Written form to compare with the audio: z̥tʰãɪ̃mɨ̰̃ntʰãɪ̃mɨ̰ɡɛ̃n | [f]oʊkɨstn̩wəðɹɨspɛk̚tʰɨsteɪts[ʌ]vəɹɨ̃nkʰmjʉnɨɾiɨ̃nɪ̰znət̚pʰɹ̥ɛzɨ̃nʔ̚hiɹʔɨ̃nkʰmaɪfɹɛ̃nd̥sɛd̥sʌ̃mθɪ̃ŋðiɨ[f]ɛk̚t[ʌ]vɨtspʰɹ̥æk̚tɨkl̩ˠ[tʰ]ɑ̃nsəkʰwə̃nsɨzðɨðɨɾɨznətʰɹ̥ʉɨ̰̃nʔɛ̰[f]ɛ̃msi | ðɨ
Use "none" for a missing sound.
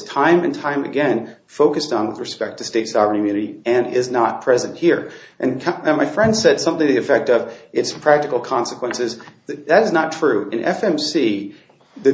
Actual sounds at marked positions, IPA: f, ɑ, f, ʌ, kʰ, f

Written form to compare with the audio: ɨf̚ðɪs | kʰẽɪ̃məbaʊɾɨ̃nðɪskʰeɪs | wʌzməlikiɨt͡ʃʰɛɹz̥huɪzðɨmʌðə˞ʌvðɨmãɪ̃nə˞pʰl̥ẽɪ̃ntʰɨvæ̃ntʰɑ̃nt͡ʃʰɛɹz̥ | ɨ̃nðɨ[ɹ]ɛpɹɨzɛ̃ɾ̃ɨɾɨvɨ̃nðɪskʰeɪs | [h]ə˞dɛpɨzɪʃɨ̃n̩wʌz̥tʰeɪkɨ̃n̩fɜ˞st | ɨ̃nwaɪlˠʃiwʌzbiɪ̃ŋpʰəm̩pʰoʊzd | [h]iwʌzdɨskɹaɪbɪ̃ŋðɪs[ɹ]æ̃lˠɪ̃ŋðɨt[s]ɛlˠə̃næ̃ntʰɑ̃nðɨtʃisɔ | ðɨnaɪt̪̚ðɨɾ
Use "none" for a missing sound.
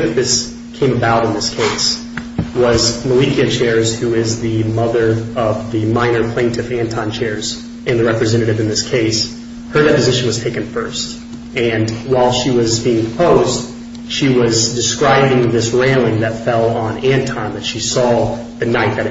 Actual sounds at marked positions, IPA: ɹ, h, ʃ, ɹ, f

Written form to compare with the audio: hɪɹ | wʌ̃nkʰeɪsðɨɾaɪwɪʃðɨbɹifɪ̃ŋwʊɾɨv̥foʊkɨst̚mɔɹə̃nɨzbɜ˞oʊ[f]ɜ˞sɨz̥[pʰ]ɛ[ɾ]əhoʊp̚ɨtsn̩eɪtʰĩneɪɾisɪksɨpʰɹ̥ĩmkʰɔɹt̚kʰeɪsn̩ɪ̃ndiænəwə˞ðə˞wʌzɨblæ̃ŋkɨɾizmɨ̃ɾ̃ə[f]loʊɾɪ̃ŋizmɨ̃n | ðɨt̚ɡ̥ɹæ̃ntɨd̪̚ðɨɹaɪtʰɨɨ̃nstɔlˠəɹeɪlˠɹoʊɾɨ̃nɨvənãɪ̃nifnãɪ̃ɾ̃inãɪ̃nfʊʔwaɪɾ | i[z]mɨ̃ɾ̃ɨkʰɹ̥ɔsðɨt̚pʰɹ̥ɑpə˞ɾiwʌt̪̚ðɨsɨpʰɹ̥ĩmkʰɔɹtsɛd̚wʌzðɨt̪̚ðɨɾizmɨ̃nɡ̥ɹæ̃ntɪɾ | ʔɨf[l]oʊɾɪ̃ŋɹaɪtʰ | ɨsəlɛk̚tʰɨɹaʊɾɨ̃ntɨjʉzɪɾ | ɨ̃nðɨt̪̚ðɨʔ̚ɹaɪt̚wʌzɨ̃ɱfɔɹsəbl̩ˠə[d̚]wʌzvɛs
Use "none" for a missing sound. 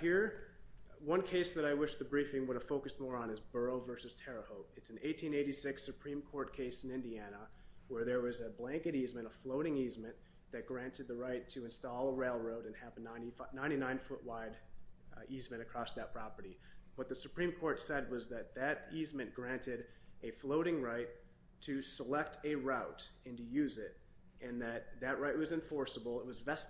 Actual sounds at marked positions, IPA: v, tʰ, ɹ, f, z, l, t̚

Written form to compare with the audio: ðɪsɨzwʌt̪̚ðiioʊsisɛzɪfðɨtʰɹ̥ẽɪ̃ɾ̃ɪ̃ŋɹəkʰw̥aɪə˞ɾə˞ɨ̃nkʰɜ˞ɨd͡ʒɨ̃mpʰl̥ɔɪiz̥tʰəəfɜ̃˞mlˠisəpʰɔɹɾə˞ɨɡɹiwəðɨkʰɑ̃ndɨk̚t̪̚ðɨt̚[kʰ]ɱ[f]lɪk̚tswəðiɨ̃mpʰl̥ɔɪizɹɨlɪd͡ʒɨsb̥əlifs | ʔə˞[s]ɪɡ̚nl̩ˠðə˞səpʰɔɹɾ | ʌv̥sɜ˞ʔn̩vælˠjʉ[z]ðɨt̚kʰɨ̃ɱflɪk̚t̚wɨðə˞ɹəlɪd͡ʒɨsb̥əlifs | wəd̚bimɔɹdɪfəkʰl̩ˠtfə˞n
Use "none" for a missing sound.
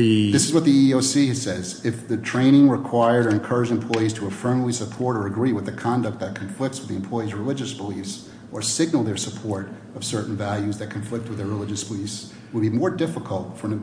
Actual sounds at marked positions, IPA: kʰ, f, s, z

